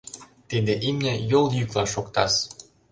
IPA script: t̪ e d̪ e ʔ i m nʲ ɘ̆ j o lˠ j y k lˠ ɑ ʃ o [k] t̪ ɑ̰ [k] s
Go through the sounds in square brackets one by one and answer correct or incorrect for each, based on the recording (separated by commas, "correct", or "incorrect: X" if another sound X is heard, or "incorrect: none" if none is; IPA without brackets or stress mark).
correct, incorrect: none